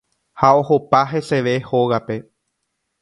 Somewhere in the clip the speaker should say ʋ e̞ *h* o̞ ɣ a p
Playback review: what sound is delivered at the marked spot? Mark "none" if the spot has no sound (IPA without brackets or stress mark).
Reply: h